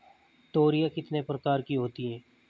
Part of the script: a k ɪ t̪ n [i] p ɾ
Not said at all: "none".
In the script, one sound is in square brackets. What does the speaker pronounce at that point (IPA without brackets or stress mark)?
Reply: e